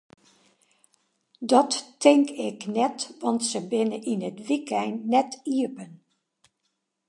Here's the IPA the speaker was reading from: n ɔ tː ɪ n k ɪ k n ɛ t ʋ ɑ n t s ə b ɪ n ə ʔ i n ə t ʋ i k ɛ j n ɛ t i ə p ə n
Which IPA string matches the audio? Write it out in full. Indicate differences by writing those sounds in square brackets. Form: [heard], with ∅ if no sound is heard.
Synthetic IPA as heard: [d] ɔ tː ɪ [ŋ] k ɪ k n ɛ t ʋ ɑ n t s ə b ɪ n ə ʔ i n ə t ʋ i k ɛ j [nː] ɛ t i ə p ə n